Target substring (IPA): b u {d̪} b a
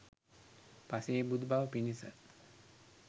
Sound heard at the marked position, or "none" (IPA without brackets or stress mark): d̪